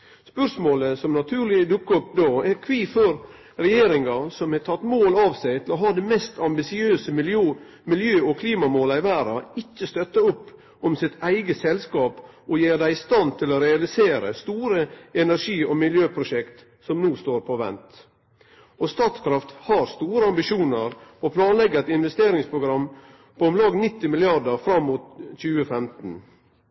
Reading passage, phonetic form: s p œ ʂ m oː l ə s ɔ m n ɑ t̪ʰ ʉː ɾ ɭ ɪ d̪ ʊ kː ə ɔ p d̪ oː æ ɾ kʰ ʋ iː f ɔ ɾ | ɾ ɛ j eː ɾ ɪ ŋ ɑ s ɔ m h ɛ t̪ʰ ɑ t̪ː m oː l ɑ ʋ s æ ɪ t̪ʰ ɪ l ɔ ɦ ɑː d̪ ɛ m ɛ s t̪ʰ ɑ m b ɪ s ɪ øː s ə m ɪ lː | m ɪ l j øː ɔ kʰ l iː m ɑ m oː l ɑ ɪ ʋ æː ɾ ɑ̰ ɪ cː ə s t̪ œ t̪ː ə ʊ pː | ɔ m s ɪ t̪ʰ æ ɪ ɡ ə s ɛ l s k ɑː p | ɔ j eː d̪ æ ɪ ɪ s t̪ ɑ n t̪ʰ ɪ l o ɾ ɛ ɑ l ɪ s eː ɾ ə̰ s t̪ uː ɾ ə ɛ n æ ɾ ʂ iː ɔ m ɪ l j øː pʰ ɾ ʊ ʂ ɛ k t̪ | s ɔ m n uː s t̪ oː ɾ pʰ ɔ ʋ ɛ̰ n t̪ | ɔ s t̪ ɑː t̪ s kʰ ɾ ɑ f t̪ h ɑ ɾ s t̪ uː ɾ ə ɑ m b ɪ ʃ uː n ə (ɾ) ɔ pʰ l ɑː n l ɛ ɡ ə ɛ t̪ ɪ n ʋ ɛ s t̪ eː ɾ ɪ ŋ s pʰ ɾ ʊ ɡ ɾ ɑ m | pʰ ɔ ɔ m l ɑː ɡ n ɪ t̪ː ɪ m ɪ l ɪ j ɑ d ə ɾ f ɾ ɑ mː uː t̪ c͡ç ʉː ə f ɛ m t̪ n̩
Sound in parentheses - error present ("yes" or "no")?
no